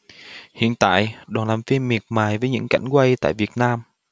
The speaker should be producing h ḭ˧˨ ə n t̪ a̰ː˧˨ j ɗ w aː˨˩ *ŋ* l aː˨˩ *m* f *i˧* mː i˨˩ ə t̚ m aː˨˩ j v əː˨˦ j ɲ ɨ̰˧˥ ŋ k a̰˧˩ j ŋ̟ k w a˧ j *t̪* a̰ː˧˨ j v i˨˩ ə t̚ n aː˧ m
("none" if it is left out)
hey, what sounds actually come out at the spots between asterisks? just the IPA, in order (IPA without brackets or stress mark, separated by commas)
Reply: n, m, i˧, t̪